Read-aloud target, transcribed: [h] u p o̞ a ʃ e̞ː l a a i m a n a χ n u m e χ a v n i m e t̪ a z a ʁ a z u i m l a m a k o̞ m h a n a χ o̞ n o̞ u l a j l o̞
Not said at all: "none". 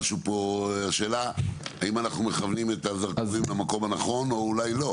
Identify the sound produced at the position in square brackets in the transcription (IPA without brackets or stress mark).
ʃ